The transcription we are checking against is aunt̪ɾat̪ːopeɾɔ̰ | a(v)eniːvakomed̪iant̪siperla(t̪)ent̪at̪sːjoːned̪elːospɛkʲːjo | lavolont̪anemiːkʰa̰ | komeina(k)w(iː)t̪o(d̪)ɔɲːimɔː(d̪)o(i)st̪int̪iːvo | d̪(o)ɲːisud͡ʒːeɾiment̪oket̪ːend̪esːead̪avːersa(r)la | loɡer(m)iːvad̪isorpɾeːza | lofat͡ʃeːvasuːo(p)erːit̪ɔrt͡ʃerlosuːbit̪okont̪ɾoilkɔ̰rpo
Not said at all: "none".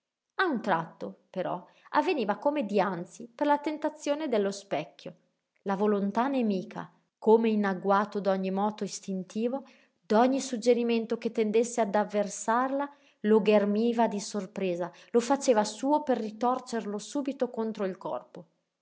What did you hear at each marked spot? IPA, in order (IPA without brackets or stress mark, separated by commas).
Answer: vː, t̪, ɡ, aː, d̪, t̪, i, ɔ, r, m, p